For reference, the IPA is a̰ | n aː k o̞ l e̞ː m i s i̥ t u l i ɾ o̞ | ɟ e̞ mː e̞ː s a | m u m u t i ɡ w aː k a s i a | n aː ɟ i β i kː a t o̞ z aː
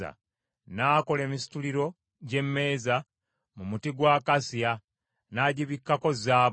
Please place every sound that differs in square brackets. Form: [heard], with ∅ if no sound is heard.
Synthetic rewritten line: a̰ | n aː k o̞ l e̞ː m i s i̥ t u l i ɾ o̞ | ɟ e̞ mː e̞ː [z] a | m u m u t i ɡ w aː k a s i a | n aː ɟ i β i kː a [k] o̞ z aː